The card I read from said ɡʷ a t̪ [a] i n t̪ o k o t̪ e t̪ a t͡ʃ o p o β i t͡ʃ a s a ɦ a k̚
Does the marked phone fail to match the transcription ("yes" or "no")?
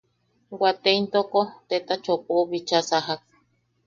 yes